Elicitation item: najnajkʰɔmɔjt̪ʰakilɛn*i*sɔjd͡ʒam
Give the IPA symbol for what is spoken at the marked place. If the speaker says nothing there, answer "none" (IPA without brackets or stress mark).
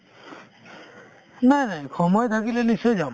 i